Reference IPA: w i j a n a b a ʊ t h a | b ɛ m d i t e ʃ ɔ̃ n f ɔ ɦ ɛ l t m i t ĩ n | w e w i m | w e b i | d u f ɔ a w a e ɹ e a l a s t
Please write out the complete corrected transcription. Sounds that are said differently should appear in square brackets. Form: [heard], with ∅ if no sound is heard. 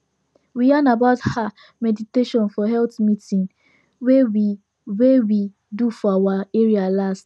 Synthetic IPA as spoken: w i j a n a b a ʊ t h a | [m] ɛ [∅] d i t e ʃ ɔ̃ n f ɔ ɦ ɛ l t m i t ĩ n | w e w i [∅] | w e [w] i | d u f ɔ a w a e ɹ [i] a l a s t